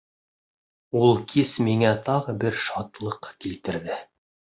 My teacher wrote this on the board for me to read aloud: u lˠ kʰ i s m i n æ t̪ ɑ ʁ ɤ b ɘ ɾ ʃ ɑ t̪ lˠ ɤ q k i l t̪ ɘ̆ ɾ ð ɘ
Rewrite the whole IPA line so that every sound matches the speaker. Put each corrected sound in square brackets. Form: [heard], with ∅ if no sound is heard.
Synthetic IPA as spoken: u lˠ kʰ i s m i [ŋ] æ t̪ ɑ ʁ ɤ b ɘ ɾ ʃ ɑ t̪ lˠ ɤ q k i l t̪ ɘ̆ ɾ ð ɘ